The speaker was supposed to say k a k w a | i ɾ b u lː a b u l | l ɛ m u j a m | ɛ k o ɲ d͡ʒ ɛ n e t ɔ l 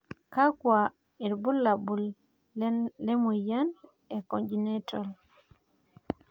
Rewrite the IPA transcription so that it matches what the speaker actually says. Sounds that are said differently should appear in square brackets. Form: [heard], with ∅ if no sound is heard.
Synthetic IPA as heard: k a k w a | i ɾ b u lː a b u l | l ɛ m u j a [n] | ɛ k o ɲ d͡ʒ [i] n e t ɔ l